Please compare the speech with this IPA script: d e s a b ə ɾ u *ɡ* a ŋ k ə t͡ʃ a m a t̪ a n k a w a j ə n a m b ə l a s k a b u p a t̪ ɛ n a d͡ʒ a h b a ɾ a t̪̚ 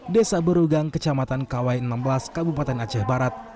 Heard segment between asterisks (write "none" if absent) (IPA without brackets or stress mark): ɡ